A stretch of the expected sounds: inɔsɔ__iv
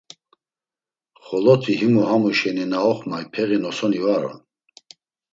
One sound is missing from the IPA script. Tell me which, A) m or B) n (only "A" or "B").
B